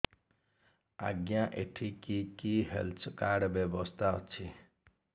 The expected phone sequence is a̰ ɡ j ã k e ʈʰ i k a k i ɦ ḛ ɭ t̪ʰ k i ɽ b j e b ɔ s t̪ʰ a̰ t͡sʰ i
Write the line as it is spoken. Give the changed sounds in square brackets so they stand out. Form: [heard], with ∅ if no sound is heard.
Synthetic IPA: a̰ ɡ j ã [ʔ] e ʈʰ i k [i] k i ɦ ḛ [l] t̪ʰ k [a] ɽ b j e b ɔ s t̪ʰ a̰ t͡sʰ i